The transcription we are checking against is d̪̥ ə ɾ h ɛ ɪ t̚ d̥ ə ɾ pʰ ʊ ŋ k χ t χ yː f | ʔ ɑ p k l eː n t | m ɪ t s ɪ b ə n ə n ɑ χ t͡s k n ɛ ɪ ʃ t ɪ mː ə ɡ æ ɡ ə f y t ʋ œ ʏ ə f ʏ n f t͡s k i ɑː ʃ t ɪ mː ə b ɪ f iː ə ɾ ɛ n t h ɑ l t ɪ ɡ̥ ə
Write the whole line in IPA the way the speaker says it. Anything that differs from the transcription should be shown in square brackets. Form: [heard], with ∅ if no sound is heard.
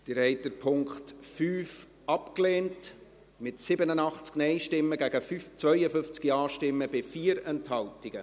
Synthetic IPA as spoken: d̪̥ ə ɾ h ɛ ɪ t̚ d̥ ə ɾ pʰ ʊ ŋ k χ t [f] yː f | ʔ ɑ p k l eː n t | m ɪ t s ɪ b ə n ə n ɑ χ t͡s k n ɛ ɪ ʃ t ɪ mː ə ɡ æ ɡ ə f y [t͡s] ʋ œ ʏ ə f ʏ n f t͡s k i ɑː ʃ t ɪ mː ə b ɪ f iː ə ɾ ɛ n t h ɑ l t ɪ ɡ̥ ə